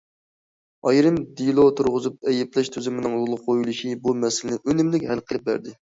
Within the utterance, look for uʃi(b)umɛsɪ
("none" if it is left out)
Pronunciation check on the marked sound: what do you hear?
b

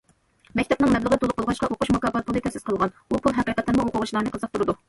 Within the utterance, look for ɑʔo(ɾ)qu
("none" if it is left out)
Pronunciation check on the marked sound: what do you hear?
none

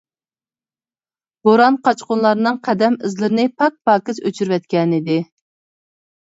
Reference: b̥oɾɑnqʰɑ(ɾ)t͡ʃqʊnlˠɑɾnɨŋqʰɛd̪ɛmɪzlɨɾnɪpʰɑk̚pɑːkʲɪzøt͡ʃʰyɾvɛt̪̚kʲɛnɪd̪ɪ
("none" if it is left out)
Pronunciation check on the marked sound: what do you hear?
none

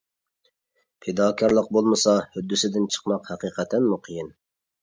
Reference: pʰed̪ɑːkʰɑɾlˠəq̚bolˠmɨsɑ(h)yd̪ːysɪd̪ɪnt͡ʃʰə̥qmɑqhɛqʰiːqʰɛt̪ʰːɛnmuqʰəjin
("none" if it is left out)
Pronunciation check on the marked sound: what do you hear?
h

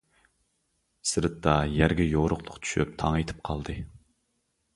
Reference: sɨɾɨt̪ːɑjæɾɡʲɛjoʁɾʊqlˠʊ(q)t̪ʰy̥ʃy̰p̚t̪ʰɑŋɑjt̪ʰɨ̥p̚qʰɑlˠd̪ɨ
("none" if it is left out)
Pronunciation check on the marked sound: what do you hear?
q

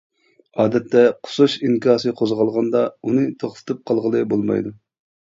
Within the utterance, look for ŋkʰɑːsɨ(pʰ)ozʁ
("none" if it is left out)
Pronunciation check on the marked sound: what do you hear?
qʰ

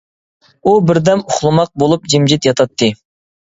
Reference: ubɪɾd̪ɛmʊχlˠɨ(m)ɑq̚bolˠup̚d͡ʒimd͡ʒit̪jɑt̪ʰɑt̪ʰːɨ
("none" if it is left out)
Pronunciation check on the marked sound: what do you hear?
m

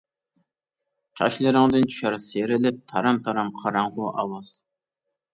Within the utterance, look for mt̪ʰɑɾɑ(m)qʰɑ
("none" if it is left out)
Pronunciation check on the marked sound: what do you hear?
m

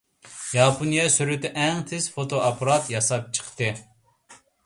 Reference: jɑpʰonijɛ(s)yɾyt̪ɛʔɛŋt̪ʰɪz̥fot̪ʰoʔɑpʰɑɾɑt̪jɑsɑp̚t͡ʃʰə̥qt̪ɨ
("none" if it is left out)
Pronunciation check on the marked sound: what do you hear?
s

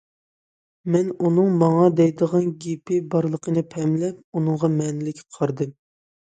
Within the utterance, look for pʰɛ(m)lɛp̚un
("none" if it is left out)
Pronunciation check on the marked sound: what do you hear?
m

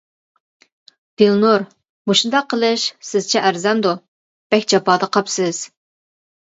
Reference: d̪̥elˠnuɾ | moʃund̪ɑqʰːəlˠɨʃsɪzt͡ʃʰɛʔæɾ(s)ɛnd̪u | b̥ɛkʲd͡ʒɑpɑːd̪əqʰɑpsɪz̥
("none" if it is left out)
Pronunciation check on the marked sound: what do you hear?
z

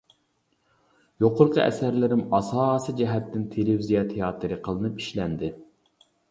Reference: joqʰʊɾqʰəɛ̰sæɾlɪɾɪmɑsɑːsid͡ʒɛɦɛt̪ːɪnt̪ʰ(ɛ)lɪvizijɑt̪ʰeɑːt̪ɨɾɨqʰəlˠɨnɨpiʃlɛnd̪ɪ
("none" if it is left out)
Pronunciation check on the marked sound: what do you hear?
e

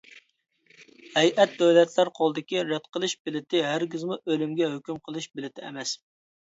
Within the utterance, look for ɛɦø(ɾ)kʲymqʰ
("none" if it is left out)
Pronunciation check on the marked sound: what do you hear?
none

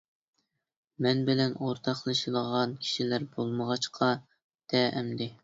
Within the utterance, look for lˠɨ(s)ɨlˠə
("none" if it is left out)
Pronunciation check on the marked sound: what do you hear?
ʃ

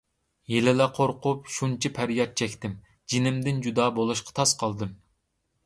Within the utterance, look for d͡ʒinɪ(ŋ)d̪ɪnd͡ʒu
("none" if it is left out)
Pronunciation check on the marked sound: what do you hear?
m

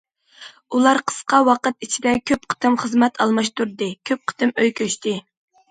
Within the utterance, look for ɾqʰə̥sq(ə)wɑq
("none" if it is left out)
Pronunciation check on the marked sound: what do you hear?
ɑ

